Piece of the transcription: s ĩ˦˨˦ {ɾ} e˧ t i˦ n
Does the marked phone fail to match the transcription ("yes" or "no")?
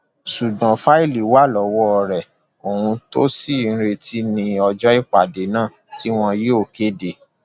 no